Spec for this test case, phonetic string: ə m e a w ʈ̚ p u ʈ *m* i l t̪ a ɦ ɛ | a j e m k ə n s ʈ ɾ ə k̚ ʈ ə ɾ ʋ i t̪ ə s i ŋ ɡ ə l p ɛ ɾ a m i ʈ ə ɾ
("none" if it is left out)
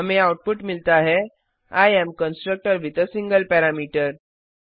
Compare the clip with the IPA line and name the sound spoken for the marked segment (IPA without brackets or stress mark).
m